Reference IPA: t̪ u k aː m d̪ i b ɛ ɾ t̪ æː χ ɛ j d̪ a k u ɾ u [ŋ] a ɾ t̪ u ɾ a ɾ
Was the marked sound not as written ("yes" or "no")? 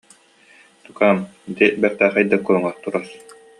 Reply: no